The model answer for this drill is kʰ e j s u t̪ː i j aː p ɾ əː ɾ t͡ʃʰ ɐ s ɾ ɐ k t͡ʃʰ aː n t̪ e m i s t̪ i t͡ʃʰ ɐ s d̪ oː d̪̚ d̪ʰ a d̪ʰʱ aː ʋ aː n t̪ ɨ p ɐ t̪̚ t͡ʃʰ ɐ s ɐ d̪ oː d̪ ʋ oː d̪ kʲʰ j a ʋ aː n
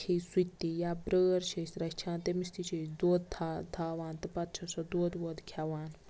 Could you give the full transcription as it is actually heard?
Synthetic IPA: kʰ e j s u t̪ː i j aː b ɾ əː ɾ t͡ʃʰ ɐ s ɾ ɐ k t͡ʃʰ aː n t̪ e m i s t̪ i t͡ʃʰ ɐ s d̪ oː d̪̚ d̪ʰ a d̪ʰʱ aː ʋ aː n t̪ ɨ p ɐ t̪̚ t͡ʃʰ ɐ s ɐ d̪ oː d̪ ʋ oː d̪ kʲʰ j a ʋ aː n